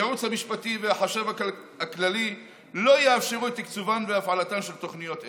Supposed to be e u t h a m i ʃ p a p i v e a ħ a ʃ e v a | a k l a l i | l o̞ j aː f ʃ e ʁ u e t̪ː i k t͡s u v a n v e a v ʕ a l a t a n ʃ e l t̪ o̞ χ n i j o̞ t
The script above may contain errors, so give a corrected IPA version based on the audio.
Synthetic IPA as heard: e u t͡s h a m i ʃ p a t i v e a ħ a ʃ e v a | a k l a l i | l o̞ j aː f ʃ e ʁ u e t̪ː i k t͡s u v a n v e a f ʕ a l a t a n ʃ e l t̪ o̞ χ n i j o̞ t